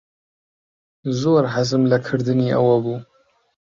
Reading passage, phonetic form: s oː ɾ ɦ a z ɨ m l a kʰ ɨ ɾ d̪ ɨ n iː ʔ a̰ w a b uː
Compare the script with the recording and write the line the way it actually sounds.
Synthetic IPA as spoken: z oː ɾ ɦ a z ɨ m l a kʰ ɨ ɾ d̪ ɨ n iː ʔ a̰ w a b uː

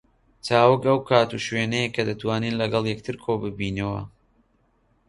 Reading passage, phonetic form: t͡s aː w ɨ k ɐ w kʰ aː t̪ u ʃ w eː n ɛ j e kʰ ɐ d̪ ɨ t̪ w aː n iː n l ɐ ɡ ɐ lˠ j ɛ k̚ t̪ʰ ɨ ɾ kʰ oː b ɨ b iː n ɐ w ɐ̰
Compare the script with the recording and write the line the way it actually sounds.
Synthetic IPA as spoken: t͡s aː w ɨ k ɐ w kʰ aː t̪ u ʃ w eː n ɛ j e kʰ ɐ d̪ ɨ t̪ w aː n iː n l ɐ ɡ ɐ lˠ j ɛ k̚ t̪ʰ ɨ ɾ kʰ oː b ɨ b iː n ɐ w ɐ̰

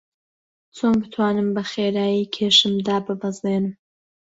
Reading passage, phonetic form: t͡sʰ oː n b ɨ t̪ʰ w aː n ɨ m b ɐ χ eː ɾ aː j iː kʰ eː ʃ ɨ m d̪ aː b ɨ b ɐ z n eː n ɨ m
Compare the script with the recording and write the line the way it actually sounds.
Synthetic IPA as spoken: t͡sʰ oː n b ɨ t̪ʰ w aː n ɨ m b ɐ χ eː ɾ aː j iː kʰ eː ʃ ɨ m d̪ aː b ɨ b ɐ z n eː n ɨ m

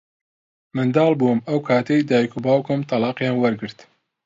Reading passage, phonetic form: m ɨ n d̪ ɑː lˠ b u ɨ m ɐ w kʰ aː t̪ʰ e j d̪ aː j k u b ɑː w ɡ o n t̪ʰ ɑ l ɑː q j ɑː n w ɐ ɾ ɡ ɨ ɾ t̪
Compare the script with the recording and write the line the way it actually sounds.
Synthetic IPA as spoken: m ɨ n d̪ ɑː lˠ b u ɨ m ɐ w kʰ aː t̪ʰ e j d̪ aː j k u b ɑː w k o m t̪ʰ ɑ l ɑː q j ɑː n w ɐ ɾ ɡ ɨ ɾ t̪

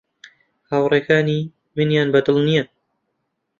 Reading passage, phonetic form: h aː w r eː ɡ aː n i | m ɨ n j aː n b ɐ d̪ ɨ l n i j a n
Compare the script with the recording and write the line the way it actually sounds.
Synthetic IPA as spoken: h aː w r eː k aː n i | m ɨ n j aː n b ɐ d̪ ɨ l n i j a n

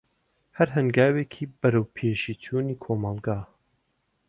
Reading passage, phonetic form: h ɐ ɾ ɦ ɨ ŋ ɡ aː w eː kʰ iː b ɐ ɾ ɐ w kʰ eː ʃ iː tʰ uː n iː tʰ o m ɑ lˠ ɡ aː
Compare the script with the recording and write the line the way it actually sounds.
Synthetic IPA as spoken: h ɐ ɾ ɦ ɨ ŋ ɡ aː w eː kʰ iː b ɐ ɾ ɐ w pʰ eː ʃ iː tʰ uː n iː kʰ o m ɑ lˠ ɡ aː

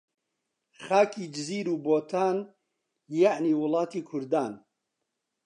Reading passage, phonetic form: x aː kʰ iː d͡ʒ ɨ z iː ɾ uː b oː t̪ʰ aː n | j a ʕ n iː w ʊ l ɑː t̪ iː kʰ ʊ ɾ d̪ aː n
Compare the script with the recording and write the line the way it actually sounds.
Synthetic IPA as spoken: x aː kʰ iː d͡ʒ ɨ z iː ɾ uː b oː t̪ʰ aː n | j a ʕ n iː w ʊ l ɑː t̪ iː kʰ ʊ ɾ d̪ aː n

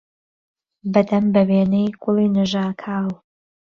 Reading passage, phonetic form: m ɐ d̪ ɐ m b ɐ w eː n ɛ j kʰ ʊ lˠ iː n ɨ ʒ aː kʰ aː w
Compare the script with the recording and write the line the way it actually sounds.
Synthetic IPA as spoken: b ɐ d̪ ɐ m b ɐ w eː n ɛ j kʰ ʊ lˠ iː n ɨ ʒ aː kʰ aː w

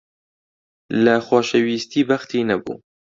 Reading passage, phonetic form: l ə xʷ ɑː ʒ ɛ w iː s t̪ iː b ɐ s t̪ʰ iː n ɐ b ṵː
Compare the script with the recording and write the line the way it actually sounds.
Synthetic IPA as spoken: l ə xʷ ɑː ʃ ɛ w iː s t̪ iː b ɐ x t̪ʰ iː n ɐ b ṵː

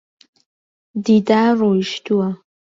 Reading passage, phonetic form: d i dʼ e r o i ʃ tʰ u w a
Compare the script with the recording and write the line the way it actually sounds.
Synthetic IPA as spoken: d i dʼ a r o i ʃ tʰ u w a

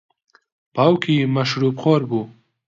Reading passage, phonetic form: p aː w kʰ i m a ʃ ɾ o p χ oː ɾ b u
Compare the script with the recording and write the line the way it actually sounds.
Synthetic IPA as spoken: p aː w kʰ i m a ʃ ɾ u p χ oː ɾ b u

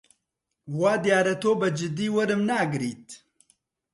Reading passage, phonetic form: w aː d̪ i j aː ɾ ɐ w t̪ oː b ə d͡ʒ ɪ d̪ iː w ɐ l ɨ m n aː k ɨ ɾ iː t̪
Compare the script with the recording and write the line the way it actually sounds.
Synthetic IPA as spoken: w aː d̪ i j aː ɾ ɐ t̪ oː b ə d͡ʒ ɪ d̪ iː w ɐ ɾ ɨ m n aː ɡ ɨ ɾ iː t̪

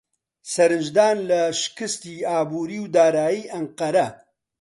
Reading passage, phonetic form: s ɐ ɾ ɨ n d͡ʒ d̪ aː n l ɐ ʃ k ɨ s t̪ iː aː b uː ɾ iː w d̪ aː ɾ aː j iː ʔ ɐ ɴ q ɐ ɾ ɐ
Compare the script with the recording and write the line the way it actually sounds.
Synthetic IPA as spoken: s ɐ ɾ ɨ n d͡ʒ d̪ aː n l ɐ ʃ k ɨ s t̪ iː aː b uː ɾ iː w d̪ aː ɾ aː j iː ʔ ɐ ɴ q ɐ ɾ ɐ

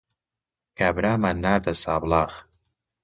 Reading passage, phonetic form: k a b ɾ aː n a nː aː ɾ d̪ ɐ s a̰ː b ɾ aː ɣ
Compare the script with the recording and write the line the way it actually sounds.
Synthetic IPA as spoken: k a b ɾ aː m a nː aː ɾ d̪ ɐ s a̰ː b l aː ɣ

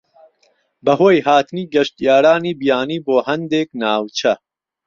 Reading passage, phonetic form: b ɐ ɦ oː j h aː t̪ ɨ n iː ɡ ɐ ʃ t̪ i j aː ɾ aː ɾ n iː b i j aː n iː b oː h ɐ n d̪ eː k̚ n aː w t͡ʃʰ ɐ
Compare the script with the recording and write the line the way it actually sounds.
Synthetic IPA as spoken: b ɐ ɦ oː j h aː t̪ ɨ n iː ɡ ɐ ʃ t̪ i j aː ɾ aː n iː b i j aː n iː b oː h ɐ n d̪ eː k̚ n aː w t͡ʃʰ ɐ

